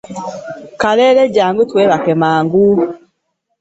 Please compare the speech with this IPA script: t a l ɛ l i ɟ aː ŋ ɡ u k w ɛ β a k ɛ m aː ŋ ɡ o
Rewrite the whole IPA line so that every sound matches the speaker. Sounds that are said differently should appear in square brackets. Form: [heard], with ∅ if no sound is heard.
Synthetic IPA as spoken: [k] a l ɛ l [ɛ] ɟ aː ŋ ɡ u [t] w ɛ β a k ɛ m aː ŋ ɡ [u]